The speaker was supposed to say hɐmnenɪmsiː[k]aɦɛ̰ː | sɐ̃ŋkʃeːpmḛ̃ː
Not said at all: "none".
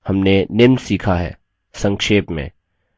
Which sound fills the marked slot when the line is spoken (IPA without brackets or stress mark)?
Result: kʰ